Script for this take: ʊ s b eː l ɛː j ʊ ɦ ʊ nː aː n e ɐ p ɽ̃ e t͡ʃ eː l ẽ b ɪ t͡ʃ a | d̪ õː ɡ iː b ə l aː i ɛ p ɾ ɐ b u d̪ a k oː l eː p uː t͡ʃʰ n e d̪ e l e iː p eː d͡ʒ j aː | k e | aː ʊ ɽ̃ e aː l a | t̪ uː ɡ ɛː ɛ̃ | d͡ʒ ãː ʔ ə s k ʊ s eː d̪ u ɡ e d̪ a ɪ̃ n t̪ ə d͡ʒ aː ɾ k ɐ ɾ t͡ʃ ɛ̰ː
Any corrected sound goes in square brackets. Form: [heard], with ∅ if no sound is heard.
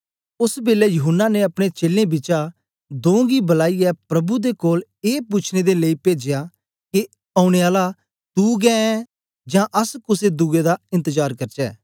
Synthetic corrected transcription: ʊ s b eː l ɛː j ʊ ɦ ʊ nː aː n e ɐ p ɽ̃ e t͡ʃ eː l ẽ b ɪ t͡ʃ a | d̪ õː ɡ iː b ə l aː i ɛ p ɾ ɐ b u d̪ [e] k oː l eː p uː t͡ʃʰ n e d̪ e l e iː p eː d͡ʒ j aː | k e | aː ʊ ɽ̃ e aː l a | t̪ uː ɡ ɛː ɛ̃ | d͡ʒ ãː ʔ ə s k ʊ s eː d̪ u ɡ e d̪ a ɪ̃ n t̪ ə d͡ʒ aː ɾ k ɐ ɾ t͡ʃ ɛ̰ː

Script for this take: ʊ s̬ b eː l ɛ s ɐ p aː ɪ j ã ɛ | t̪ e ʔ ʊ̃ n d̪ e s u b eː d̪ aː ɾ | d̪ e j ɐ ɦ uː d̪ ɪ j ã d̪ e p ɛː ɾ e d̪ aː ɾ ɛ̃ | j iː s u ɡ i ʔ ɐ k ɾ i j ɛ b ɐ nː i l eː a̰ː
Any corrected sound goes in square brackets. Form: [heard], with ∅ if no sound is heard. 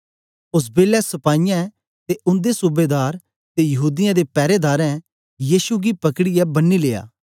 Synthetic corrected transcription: ʊ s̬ b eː l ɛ s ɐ p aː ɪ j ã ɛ | t̪ e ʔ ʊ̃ n d̪ e s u b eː d̪ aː ɾ | [t̪] e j ɐ ɦ uː d̪ ɪ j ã d̪ e p ɛː ɾ e d̪ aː ɾ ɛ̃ | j iː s u ɡ i [p] ɐ k [ɽ] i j ɛ b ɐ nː i l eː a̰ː

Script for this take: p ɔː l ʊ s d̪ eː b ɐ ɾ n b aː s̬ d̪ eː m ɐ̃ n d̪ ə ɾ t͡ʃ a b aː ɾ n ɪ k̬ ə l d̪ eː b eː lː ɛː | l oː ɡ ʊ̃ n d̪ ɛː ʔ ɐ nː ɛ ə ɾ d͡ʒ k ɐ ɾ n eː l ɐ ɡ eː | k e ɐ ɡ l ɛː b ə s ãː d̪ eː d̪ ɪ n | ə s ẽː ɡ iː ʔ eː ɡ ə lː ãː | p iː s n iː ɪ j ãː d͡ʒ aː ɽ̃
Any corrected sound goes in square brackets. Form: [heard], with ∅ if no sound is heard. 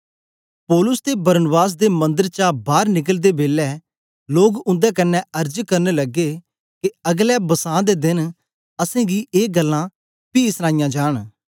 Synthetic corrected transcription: p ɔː l ʊ s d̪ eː b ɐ ɾ n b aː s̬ d̪ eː m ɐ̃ n d̪ ə ɾ t͡ʃ a b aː ɾ n ɪ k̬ ə l d̪ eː b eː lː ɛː | l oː ɡ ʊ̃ n d̪ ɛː [k] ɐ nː ɛ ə ɾ d͡ʒ k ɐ ɾ n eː l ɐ ɡ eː | k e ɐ ɡ l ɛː b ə s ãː d̪ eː d̪ ɪ n | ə s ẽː ɡ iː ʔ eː ɡ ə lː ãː | p iː s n [aː] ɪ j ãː d͡ʒ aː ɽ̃

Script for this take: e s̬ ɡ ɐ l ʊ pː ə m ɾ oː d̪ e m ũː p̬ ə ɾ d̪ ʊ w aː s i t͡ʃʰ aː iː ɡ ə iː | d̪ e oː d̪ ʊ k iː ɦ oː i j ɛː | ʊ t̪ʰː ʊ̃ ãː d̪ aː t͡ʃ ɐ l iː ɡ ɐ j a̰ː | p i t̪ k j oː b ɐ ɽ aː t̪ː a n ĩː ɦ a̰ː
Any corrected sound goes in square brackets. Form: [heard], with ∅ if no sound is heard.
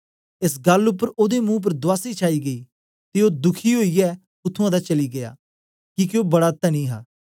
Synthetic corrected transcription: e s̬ ɡ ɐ l ʊ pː ə [∅] ɾ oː d̪ e m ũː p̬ ə ɾ d̪ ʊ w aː s i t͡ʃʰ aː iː ɡ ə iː | [t̪] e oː d̪ ʊ [kʰ] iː ɦ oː i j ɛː | ʊ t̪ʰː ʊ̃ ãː d̪ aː t͡ʃ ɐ l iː ɡ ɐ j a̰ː | [k] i [∅] k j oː b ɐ ɽ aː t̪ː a n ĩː ɦ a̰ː

